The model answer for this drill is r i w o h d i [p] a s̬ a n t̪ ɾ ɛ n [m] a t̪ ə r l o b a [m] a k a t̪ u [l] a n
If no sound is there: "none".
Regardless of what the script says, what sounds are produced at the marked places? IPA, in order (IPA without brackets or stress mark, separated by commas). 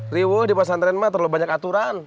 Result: p, m, ɲ, ɾ